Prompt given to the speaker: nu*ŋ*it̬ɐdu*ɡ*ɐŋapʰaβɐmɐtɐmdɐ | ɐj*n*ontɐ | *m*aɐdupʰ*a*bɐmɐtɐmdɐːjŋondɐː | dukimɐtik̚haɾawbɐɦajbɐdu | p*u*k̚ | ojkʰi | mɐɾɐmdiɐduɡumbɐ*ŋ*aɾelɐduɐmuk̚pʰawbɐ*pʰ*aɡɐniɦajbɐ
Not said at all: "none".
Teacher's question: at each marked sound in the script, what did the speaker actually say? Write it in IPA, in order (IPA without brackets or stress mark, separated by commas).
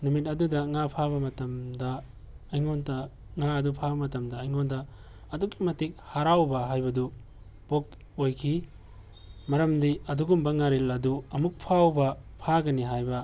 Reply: m, d, ŋ, ŋ, a, o, ŋ, pʰ